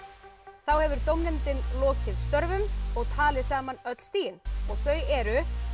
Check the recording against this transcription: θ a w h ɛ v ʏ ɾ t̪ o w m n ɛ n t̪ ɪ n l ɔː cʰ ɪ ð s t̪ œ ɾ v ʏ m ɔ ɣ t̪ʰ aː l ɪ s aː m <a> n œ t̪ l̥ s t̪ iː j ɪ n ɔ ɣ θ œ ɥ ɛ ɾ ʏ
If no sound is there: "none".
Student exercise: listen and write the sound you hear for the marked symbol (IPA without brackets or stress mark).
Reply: a